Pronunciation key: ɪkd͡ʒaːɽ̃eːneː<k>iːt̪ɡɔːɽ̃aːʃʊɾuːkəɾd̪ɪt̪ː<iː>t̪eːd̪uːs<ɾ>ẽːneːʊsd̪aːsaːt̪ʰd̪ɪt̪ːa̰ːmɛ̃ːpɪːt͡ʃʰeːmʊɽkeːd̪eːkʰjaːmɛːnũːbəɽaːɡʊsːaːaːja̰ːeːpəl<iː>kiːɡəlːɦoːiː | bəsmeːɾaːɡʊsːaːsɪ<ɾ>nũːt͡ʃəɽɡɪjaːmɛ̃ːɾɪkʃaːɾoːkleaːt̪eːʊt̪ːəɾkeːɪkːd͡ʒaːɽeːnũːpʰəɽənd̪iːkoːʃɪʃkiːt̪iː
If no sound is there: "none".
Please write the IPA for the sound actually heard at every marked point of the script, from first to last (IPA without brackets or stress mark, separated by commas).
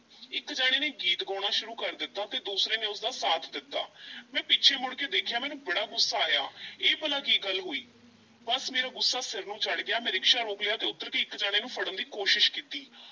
ɡ, aː, ɾ, aː, ɾ